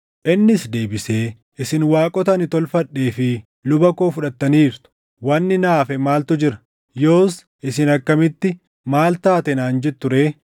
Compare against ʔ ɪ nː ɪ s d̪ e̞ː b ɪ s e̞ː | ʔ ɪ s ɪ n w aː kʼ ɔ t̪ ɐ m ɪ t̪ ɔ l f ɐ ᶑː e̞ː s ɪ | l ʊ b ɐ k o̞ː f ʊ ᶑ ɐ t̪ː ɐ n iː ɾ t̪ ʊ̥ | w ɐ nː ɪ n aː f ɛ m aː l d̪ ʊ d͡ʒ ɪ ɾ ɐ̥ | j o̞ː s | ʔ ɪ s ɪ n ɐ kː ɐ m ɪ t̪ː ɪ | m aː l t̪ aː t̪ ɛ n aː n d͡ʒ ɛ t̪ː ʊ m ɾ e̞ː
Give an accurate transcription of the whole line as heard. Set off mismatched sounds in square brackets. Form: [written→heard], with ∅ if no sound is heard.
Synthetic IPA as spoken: ʔ ɪ nː ɪ s d̪ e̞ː b ɪ s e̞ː | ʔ ɪ s ɪ n w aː kʼ ɔ t̪ ɐ [m→n] ɪ t̪ ɔ l f ɐ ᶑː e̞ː [s→f] ɪ | l ʊ b ɐ k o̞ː f ʊ ᶑ ɐ t̪ː ɐ n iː ɾ t̪ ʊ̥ | w ɐ nː ɪ n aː f ɛ m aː l [d̪→t̪] ʊ d͡ʒ ɪ ɾ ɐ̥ | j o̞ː s | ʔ ɪ s ɪ n ɐ kː ɐ m ɪ t̪ː ɪ | m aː l t̪ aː t̪ ɛ n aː n d͡ʒ ɛ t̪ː ʊ [m→∅] ɾ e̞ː

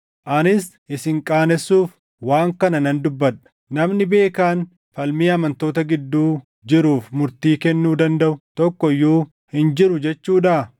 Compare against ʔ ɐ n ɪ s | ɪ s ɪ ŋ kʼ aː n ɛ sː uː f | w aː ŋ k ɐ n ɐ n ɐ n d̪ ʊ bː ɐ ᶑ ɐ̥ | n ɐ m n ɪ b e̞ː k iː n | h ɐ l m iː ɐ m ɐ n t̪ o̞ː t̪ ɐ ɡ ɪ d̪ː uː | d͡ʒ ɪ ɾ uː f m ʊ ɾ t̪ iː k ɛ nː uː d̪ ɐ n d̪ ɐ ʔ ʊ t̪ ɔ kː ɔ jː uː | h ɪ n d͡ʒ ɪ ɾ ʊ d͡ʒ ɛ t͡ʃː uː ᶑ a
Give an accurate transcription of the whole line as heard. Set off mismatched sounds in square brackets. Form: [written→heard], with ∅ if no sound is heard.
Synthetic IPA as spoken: ʔ ɐ n ɪ s | ɪ s ɪ ŋ kʼ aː n ɛ sː uː f | w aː ŋ k ɐ n ɐ n ɐ n d̪ ʊ bː ɐ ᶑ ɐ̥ | n ɐ m n ɪ b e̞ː k [iː→aː] n | [h→f] ɐ l m iː ɐ m ɐ n t̪ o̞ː t̪ ɐ ɡ ɪ d̪ː uː | d͡ʒ ɪ ɾ uː f m ʊ ɾ t̪ iː k ɛ nː uː d̪ ɐ n d̪ ɐ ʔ ʊ t̪ ɔ kː ɔ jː uː | h ɪ n d͡ʒ ɪ ɾ ʊ d͡ʒ ɛ t͡ʃː uː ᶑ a

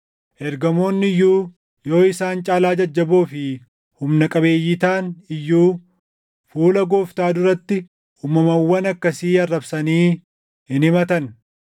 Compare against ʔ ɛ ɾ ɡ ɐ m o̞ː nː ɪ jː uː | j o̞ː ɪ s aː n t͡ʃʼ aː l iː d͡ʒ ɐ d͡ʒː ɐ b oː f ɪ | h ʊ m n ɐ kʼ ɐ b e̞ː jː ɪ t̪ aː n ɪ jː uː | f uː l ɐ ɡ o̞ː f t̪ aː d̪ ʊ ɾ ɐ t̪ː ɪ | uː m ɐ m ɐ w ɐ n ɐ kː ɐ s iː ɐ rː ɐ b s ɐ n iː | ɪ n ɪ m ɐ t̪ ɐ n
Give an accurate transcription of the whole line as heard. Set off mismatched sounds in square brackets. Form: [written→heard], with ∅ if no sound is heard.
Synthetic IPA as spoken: ʔ ɛ ɾ ɡ ɐ m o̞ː nː ɪ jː uː | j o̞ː ɪ s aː n t͡ʃʼ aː l [iː→aː] d͡ʒ ɐ d͡ʒː ɐ b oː f ɪ | h ʊ m n ɐ kʼ ɐ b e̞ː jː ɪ t̪ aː n ɪ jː uː | f uː l ɐ ɡ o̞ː f t̪ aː d̪ ʊ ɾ ɐ t̪ː ɪ | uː m ɐ m ɐ [w→wː] ɐ n ɐ kː ɐ s iː ɐ rː ɐ b s ɐ n iː | ɪ n ɪ m ɐ t̪ ɐ n

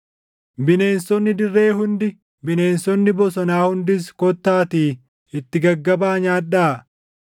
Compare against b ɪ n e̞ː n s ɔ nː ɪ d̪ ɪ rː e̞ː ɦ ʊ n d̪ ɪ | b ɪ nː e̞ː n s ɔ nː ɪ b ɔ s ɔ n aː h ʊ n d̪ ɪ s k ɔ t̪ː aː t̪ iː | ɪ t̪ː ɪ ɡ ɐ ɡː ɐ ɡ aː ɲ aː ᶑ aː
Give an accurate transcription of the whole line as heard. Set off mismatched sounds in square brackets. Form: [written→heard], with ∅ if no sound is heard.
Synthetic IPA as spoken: b ɪ n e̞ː n s ɔ nː ɪ d̪ ɪ rː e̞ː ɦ ʊ n d̪ ɪ | b ɪ [nː→n] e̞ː n s ɔ nː ɪ b ɔ s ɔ n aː h ʊ n d̪ ɪ s k ɔ t̪ː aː t̪ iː | ɪ t̪ː ɪ ɡ ɐ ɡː ɐ [ɡ→b] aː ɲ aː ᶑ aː

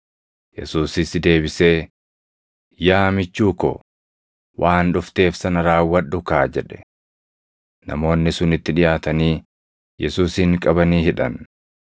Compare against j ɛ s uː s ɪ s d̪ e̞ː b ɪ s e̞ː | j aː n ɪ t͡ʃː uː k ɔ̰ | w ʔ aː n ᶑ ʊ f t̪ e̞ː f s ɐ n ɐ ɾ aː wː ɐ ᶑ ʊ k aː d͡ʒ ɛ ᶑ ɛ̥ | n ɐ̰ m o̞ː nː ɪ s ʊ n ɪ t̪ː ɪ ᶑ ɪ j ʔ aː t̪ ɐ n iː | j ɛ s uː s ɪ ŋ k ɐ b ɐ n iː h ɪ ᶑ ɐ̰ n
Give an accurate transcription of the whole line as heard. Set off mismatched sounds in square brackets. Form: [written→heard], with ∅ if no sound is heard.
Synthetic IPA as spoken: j ɛ s uː s ɪ s d̪ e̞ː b ɪ s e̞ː | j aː [n→m] ɪ t͡ʃː uː k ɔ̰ | w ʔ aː n ᶑ ʊ f t̪ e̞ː f s ɐ n ɐ ɾ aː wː ɐ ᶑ ʊ k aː d͡ʒ ɛ ᶑ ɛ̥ | n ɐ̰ m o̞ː nː ɪ s ʊ n ɪ t̪ː ɪ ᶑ ɪ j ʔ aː t̪ ɐ n iː | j ɛ s uː s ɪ ŋ [k→kʼ] ɐ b ɐ n iː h ɪ ᶑ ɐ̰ n

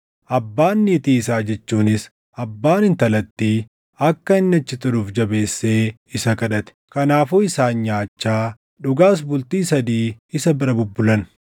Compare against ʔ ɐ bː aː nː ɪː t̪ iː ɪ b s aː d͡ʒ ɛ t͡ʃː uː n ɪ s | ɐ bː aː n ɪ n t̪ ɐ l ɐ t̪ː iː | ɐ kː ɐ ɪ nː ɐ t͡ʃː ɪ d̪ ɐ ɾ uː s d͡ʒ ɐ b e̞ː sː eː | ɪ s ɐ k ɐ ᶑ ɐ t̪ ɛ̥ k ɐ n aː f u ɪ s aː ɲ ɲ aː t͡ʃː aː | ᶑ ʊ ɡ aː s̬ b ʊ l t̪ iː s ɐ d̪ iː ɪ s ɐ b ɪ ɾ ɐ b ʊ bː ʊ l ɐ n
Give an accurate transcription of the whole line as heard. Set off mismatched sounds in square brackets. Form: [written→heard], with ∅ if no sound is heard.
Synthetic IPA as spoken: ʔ ɐ bː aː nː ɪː t̪ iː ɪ [b→∅] s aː d͡ʒ ɛ t͡ʃː uː n ɪ s | ɐ bː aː n ɪ n t̪ ɐ l ɐ t̪ː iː | ɐ kː ɐ ɪ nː ɐ t͡ʃː ɪ [d̪→t̪] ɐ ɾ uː [s→f] d͡ʒ ɐ b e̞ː sː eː | ɪ s ɐ k ɐ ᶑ ɐ t̪ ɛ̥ k ɐ n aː f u ɪ s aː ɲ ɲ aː t͡ʃː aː | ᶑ ʊ ɡ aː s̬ b ʊ l t̪ iː s ɐ d̪ iː ɪ s ɐ b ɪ ɾ ɐ b ʊ bː ʊ l ɐ n

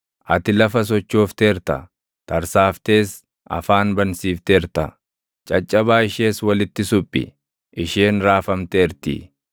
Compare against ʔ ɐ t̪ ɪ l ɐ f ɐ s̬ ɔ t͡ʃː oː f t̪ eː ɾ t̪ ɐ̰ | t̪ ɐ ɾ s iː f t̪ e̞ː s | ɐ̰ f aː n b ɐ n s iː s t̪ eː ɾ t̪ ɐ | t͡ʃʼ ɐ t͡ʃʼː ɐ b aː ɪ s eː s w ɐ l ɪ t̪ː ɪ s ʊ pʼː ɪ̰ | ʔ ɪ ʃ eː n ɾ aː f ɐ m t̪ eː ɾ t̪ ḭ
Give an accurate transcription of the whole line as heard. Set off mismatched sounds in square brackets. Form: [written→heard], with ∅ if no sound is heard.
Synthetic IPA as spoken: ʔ ɐ t̪ ɪ l ɐ f ɐ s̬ ɔ t͡ʃː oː f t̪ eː ɾ t̪ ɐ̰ | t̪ ɐ ɾ s [iː→aː] f t̪ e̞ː s | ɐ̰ f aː n b ɐ n s iː [s→f] t̪ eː ɾ t̪ ɐ | t͡ʃʼ ɐ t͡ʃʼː ɐ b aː ɪ [s→ʃ] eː s w ɐ l ɪ t̪ː ɪ s ʊ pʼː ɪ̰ | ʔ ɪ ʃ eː n ɾ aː f ɐ m t̪ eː ɾ t̪ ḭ

